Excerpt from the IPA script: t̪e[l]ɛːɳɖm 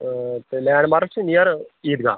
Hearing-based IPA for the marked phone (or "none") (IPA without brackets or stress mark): l